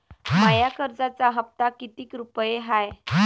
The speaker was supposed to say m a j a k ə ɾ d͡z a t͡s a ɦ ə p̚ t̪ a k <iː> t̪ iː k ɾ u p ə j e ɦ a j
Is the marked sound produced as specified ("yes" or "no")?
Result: no